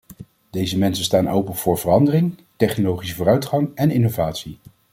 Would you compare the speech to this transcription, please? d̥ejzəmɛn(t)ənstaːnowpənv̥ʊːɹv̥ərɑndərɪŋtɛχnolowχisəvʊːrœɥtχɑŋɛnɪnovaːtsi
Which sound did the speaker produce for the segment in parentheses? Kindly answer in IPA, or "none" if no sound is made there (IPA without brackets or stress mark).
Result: s